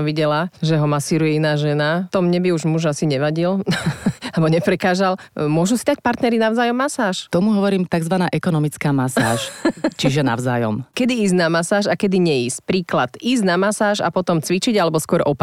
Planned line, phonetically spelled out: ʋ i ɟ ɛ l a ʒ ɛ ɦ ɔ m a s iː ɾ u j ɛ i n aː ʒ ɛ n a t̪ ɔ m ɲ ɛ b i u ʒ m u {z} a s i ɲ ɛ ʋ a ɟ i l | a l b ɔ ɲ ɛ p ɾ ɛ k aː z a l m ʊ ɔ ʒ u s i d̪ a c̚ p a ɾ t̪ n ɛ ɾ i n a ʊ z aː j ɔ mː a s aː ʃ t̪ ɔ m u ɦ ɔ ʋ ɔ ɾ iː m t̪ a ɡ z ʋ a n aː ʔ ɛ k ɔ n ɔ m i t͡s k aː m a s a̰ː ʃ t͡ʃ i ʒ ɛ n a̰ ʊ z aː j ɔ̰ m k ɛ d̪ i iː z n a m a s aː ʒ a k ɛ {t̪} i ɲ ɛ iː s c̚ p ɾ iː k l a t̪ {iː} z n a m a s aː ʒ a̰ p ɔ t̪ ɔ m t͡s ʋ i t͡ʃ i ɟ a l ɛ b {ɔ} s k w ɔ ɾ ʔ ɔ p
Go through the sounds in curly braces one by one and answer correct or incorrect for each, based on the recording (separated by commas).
incorrect, incorrect, correct, correct